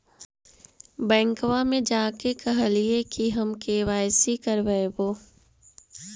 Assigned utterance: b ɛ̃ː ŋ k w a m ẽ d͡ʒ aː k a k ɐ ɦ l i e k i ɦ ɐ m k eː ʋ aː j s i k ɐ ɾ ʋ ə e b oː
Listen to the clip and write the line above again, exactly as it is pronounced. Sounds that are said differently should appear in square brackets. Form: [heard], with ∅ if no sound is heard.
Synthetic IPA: b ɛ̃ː ŋ k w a m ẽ d͡ʒ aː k [e] k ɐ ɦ l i e k i ɦ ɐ m k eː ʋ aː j s i k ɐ ɾ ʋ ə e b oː